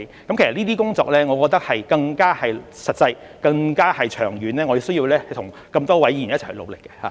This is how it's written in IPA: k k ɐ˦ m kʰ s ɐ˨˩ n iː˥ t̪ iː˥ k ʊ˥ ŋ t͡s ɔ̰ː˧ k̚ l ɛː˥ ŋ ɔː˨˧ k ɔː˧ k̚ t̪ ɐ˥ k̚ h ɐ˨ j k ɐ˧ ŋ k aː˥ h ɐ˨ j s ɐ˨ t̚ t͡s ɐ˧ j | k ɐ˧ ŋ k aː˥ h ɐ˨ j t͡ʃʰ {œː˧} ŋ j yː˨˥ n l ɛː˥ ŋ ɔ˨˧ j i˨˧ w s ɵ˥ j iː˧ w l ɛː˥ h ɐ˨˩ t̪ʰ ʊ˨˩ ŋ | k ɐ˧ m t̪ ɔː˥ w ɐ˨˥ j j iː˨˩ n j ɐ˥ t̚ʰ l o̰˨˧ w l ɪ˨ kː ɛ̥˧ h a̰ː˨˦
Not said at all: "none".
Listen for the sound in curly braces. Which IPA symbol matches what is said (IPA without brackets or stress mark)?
œː˨˩